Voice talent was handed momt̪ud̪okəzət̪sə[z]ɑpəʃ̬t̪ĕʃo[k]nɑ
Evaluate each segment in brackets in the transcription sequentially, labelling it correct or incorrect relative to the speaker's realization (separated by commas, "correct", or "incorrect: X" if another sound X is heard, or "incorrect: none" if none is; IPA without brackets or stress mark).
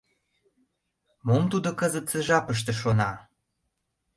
incorrect: ʒ, incorrect: none